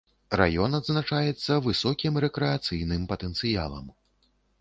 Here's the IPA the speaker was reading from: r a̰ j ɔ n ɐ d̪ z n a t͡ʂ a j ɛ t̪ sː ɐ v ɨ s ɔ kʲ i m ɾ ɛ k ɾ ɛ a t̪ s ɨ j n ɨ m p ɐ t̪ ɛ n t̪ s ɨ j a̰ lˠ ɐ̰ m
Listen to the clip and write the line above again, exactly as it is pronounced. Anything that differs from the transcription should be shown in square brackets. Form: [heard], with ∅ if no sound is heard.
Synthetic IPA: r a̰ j ɔ n ɐ d̪ z n a t͡ʂ a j ɛ t̪ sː ɐ v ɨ s ɔ kʲ i m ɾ ɛ k ɾ ɛ a t̪ s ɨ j n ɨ m p ɐ t̪ ɛ n t̪ s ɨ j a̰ lˠ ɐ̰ m